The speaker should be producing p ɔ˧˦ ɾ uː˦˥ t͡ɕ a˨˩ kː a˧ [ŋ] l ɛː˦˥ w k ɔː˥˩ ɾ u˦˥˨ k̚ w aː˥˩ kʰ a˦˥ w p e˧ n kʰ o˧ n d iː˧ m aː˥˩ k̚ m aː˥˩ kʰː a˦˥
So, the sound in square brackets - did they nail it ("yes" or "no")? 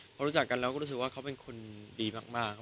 no